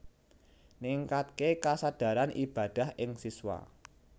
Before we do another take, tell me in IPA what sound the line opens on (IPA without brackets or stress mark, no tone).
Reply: n